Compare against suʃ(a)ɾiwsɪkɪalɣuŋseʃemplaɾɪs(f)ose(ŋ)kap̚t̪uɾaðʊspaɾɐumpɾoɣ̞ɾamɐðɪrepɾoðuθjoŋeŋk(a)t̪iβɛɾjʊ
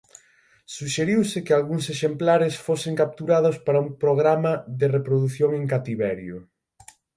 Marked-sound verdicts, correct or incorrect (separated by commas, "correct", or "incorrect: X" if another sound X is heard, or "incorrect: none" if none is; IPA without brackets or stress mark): incorrect: e, correct, correct, correct